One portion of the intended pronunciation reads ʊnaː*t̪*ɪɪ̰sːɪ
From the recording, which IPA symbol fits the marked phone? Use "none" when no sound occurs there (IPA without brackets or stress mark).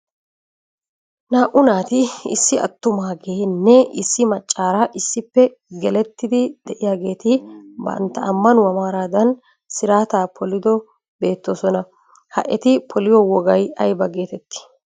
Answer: t̪